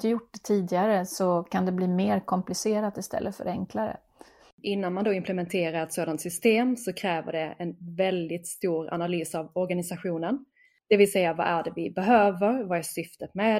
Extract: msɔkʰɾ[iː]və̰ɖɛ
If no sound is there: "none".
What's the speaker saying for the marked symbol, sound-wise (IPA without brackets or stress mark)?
ɛː